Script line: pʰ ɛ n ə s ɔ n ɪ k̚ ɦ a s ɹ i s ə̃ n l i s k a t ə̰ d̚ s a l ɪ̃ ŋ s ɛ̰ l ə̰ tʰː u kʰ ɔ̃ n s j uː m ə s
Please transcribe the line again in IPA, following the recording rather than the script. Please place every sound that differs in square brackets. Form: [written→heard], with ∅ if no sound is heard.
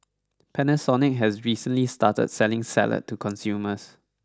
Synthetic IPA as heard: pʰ ɛ n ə s ɔ n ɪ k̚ ɦ [a→ɛ] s ɹ i s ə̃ n l i s [k→t] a t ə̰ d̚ s [a→ɛ] l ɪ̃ ŋ s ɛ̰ l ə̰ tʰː u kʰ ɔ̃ n s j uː m ə s